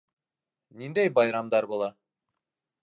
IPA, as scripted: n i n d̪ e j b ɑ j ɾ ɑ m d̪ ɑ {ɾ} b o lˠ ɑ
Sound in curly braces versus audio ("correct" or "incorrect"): correct